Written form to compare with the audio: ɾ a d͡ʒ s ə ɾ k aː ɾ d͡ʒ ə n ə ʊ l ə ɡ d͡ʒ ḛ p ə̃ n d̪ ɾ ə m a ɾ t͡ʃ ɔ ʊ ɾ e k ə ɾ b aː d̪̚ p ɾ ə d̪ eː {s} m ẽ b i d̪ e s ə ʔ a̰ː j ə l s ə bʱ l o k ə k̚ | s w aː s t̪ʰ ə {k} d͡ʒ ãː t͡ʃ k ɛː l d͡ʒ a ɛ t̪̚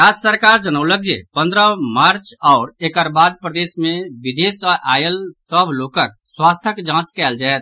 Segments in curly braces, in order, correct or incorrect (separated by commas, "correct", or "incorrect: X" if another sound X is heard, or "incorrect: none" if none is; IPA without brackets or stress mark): correct, correct